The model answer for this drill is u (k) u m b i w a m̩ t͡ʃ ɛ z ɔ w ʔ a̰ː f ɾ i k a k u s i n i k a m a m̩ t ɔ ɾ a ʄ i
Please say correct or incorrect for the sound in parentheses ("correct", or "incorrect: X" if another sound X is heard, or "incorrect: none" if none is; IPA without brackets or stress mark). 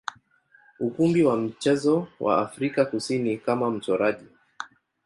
correct